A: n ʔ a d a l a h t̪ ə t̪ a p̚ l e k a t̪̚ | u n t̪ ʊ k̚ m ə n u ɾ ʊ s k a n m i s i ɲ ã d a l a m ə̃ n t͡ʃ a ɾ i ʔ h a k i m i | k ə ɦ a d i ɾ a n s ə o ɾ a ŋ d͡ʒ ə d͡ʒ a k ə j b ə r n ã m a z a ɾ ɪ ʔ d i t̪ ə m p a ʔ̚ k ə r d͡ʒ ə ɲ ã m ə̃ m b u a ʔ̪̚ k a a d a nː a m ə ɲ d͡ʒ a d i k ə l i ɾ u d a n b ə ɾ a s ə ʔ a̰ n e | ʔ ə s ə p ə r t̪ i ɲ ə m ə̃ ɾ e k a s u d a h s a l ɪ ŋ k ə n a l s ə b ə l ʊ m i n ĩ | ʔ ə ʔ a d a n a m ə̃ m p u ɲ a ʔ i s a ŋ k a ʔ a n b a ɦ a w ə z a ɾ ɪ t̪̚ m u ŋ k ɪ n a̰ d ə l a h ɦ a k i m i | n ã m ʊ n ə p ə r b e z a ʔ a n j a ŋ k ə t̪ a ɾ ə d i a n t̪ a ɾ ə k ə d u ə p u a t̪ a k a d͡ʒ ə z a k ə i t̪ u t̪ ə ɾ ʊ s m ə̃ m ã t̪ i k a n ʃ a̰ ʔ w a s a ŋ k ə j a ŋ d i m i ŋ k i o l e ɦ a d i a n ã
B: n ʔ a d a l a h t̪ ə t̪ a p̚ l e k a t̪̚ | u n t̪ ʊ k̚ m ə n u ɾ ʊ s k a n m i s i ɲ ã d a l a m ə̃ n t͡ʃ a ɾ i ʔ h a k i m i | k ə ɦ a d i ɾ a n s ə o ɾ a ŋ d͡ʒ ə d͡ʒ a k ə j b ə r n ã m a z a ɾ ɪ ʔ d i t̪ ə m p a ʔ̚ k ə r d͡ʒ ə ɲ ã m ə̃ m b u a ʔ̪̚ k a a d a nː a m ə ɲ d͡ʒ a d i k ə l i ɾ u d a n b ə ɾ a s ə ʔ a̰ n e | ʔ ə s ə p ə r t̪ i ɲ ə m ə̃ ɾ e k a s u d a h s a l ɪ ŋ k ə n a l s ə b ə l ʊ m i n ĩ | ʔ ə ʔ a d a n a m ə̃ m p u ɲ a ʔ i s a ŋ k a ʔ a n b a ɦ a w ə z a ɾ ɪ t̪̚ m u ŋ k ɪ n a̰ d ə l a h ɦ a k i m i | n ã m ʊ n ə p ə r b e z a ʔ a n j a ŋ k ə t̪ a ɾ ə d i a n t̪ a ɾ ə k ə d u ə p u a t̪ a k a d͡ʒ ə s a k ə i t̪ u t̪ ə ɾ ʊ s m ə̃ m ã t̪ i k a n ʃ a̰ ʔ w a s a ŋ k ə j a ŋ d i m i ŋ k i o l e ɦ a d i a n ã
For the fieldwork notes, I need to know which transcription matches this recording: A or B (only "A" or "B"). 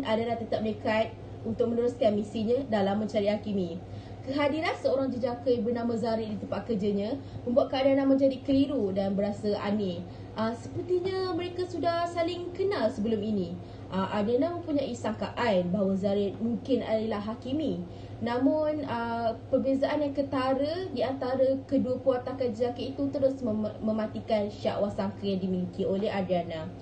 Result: A